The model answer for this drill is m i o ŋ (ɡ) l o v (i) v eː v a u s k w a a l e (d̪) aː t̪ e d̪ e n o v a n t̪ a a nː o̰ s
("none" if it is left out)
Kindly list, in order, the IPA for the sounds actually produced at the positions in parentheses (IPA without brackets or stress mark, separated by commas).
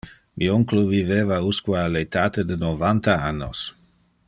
k, i, t̪